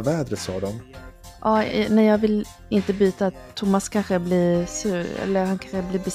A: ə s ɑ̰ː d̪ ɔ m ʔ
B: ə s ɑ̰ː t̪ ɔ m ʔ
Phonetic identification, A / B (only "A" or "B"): A